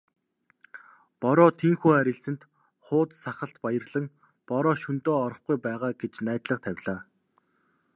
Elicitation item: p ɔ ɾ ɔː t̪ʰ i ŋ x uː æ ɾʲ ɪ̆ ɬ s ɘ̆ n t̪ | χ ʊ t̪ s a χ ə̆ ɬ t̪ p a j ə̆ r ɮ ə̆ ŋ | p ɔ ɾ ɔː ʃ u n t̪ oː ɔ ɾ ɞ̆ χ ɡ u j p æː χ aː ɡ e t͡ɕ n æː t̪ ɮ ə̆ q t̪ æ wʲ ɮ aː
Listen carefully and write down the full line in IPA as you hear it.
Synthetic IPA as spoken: p ɔ ɾ ɔː t̪ʰ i ŋ x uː æ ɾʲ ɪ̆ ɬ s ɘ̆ n t̪ | χ ʊː t̪ s a χ ə̆ ɬ t̪ p a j ə̆ r ɮ ə̆ ŋ | p ɔ ɾ ɔː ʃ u n t̪ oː ɔ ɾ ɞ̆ χ ɡ u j p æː ʁ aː ɡ e t͡ɕ n æː t̪ ɮ ə̆ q t̪ʰ æ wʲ ɮ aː